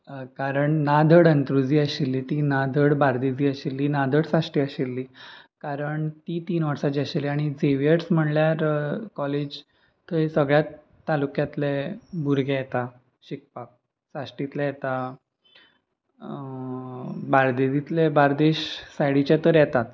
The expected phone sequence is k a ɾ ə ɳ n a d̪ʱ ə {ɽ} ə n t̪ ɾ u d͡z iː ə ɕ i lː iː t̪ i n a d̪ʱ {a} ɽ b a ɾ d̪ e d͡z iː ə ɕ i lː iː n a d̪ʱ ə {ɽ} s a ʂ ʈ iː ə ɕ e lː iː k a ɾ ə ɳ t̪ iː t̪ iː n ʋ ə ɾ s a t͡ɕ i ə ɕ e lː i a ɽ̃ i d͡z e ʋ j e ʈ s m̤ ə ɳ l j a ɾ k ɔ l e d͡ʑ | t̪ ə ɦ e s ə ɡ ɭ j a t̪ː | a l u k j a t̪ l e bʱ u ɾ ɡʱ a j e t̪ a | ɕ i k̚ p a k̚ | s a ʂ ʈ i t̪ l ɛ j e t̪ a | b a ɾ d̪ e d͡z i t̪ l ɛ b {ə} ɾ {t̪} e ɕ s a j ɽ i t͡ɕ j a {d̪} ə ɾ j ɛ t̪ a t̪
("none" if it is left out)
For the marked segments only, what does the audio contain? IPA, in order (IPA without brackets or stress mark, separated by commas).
ɽ, ə, ɽ, a, d̪, t̪